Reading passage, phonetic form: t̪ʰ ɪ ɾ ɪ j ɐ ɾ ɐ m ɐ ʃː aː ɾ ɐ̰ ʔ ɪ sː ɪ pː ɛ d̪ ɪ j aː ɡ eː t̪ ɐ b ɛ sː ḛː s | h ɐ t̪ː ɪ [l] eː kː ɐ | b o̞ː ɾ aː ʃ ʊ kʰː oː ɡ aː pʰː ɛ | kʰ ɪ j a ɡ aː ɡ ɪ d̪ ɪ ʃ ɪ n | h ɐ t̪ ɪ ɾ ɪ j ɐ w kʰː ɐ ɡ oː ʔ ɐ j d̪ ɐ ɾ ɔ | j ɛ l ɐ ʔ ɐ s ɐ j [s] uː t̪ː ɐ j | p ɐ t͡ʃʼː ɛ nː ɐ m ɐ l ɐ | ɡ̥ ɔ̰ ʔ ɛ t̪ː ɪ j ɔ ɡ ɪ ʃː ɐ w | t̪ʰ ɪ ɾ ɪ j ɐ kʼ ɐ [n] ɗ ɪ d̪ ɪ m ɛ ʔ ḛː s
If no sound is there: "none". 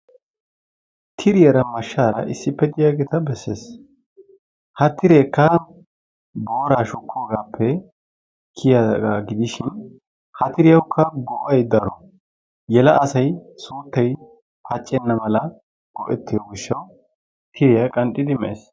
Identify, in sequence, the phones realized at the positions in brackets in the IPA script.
ɾ, s, n

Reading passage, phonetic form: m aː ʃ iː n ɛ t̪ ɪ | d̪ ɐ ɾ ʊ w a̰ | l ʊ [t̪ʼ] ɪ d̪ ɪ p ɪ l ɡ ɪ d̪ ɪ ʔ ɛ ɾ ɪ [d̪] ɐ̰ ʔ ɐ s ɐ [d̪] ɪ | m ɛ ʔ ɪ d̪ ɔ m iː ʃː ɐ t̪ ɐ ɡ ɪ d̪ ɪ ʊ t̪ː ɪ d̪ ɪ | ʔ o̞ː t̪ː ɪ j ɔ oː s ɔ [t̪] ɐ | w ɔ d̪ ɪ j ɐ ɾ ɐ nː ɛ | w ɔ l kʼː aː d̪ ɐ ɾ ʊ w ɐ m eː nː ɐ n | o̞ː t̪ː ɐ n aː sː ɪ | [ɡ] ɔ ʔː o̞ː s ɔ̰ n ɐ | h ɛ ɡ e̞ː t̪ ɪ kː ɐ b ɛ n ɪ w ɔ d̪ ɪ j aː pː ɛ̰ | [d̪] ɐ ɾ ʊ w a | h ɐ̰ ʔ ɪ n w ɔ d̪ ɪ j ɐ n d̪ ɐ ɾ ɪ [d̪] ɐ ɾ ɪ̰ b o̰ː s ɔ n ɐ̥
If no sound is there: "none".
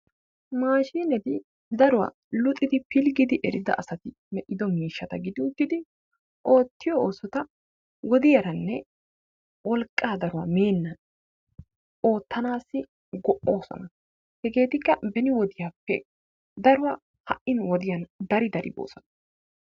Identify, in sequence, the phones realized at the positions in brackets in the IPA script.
t̪ʼ, d̪, t̪, t̪, ɡ, d̪, d̪

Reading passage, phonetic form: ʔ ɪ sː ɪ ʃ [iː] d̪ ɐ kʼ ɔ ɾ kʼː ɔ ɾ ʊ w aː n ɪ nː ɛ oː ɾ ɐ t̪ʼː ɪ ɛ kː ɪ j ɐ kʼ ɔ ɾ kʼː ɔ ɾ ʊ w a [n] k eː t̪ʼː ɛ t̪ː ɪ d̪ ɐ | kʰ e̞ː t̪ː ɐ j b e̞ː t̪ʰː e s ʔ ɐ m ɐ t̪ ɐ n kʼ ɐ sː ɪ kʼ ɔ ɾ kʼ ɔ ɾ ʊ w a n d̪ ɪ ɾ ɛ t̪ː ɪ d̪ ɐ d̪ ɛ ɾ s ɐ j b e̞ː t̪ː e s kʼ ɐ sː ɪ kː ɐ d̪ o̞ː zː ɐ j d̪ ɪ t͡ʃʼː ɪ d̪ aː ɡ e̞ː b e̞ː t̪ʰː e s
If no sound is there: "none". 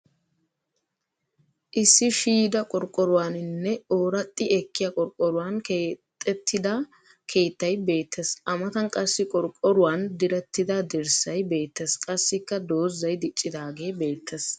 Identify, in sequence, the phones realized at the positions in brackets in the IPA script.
iː, n

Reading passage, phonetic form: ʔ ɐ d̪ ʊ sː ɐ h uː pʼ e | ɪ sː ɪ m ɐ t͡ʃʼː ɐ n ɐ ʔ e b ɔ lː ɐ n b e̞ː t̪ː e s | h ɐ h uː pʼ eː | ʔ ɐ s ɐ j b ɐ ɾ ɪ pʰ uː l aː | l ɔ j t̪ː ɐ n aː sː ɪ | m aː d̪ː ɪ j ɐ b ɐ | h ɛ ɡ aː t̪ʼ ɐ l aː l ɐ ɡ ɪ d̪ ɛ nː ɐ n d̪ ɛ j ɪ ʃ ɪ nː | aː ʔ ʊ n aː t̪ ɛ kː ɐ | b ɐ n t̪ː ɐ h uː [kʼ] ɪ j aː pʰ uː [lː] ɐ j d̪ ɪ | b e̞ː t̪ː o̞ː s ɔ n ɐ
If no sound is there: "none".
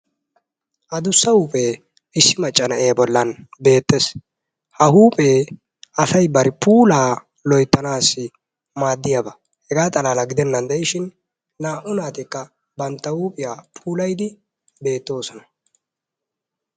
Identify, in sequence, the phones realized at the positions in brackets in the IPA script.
pʼ, l

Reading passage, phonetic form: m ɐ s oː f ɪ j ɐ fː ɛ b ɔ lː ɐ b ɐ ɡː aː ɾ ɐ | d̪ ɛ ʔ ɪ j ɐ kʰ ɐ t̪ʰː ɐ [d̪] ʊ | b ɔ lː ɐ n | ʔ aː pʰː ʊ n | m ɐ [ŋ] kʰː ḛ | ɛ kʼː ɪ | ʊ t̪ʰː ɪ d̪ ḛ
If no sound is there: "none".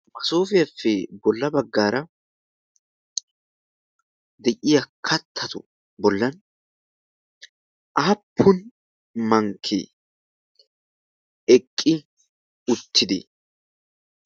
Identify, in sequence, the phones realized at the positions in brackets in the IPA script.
t̪, ŋ

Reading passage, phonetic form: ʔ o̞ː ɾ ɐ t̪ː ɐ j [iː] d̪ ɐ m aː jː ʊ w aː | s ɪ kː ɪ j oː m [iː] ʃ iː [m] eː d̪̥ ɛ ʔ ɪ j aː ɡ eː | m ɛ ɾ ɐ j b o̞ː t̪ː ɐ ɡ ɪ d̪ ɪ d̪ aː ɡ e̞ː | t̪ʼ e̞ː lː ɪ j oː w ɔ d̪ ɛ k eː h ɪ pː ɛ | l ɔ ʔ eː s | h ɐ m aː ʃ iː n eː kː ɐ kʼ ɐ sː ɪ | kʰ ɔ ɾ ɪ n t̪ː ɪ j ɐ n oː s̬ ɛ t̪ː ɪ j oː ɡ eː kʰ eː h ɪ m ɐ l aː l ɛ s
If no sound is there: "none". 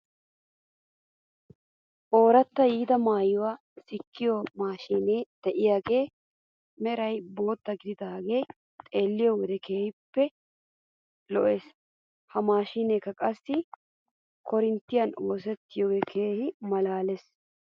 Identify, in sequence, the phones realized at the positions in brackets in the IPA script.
iː, aː, n

